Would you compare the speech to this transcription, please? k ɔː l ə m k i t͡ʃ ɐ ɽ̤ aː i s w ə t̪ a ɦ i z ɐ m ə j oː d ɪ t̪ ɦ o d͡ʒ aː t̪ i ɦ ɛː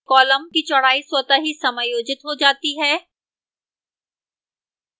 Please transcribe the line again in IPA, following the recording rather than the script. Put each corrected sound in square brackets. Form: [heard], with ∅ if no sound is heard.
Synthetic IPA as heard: k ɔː l ə m k i t͡ʃ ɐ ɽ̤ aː i s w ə t̪ a ɦ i [s] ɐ m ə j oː [d͡ʒ] ɪ t̪ ɦ o d͡ʒ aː t̪ i ɦ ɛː